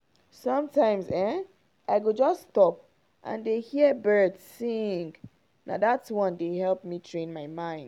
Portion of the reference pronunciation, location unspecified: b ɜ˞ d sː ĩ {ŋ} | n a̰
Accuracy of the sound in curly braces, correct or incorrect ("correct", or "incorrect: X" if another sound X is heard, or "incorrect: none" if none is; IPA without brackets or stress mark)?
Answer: correct